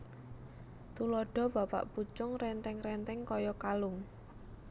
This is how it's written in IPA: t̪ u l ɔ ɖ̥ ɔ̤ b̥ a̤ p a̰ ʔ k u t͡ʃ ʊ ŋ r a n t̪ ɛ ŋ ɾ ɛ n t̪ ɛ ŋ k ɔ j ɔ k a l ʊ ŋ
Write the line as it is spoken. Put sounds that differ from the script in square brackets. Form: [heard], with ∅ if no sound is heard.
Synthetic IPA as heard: t̪ u l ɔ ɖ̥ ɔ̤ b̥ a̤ p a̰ ʔ [p] u t͡ʃ ʊ ŋ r [ɛ] n t̪ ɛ ŋ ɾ ɛ n t̪ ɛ ŋ k ɔ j ɔ k a l ʊ ŋ